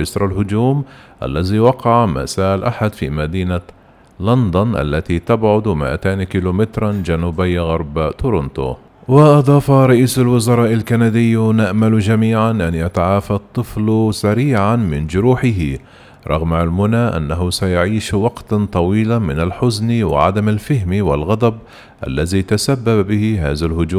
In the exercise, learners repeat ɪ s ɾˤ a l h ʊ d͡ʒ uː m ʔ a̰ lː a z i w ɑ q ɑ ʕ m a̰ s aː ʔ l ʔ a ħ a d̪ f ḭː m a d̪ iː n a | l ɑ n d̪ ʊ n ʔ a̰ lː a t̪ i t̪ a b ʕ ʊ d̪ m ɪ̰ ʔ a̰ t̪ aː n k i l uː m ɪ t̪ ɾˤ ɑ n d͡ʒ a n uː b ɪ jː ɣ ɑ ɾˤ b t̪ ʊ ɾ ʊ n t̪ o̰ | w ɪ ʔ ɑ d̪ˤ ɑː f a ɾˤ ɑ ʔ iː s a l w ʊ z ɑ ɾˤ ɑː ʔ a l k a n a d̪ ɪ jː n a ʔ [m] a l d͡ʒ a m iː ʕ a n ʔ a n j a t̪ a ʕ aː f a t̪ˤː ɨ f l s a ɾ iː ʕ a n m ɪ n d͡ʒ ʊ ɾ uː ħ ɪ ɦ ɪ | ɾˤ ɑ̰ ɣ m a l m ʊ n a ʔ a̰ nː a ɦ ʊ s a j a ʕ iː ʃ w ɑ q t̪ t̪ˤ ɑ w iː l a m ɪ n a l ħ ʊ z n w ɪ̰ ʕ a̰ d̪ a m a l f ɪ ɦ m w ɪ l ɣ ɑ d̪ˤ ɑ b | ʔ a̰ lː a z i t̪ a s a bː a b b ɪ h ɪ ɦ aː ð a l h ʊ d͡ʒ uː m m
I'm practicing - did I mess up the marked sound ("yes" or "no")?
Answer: no